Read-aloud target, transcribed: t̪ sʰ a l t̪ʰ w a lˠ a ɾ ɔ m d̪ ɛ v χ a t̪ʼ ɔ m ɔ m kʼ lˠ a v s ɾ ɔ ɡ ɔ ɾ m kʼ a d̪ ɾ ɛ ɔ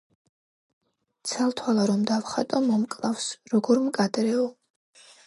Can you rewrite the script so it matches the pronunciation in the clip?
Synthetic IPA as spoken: t̪ sʰ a l t̪ʰ w a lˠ a ɾ ɔ m d̪ a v χ a t̪ʼ ɔ m ɔ m kʼ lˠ a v s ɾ ɔ ɡ ɔ ɾ m kʼ a d̪ ɾ ɛ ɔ